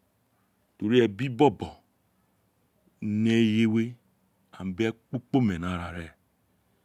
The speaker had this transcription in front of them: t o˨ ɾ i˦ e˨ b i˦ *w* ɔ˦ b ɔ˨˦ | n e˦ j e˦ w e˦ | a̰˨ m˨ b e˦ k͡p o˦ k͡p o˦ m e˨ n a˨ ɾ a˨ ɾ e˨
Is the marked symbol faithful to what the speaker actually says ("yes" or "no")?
no